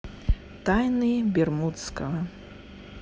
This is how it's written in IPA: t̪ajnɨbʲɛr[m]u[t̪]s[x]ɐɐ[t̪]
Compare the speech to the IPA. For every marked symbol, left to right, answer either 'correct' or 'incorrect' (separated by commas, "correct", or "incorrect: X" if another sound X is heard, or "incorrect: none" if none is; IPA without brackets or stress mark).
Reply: correct, correct, incorrect: k, incorrect: none